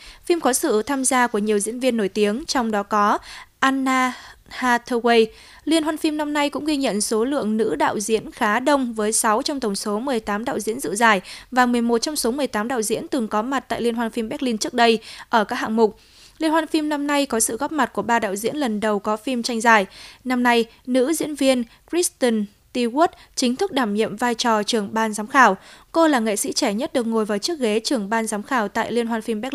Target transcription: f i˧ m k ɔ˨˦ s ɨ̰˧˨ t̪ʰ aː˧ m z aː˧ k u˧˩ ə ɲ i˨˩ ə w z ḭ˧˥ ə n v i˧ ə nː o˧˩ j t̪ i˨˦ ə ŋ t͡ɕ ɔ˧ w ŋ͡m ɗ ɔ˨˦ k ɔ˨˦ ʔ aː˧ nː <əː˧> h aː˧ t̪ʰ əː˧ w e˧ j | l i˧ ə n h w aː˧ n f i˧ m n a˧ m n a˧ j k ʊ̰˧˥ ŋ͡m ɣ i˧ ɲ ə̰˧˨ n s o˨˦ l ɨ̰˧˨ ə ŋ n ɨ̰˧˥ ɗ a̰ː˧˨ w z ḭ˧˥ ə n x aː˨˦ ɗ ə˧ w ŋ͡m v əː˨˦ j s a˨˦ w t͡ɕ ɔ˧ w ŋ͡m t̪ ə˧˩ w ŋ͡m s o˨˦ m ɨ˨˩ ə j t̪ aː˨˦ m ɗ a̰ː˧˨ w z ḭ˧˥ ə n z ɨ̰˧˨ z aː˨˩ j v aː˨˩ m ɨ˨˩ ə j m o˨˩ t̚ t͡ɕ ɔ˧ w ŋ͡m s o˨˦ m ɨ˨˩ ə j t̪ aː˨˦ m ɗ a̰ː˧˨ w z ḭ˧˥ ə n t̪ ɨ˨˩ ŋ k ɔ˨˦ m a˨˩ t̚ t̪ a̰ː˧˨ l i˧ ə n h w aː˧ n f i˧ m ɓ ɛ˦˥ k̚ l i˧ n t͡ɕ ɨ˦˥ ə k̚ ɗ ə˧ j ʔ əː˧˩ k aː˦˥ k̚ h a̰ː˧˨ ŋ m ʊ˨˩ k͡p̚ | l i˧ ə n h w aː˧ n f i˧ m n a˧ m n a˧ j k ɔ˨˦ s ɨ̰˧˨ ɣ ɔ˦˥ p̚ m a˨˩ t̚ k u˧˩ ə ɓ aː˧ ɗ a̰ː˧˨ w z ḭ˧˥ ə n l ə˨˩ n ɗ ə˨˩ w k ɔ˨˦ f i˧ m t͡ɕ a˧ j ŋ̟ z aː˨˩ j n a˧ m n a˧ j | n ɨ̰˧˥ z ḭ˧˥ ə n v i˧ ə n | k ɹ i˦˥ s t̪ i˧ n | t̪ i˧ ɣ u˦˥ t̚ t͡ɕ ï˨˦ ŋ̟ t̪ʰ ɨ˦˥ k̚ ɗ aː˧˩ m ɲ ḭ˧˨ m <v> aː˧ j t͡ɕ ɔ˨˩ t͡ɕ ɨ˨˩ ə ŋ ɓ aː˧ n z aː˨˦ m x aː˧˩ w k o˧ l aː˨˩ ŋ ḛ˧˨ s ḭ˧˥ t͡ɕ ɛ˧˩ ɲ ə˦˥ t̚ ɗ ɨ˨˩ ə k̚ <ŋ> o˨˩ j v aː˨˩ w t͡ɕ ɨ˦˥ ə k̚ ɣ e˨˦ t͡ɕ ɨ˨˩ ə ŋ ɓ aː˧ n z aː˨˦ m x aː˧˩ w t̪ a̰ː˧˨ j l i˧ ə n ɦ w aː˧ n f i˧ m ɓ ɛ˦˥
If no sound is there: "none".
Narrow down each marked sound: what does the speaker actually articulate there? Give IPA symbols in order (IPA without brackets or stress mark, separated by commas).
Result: aː˧, v, ŋ